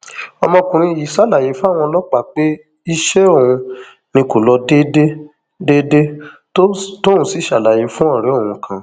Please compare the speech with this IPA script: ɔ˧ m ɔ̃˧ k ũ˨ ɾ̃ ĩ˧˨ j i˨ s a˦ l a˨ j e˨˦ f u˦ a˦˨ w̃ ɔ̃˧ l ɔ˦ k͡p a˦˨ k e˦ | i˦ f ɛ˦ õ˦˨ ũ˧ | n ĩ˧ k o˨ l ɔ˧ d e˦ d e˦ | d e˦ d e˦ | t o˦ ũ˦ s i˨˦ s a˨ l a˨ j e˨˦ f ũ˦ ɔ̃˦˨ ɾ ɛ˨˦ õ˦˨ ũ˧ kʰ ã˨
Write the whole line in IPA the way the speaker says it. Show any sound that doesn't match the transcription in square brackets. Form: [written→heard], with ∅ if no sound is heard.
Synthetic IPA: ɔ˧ m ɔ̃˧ k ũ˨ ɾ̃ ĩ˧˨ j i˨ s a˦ l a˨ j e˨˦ f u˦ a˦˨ w̃ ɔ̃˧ l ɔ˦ k͡p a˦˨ [k→k͡p] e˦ | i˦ [f→ʃ] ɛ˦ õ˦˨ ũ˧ | n ĩ˧ k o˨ l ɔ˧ d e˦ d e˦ | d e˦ d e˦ | t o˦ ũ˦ s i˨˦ [s→ʃ] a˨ l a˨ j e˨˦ f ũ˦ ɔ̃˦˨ ɾ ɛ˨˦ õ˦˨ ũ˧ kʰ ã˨